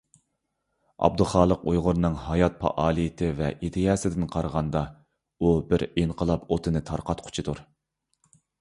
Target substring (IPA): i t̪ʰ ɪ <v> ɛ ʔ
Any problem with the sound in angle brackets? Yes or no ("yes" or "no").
no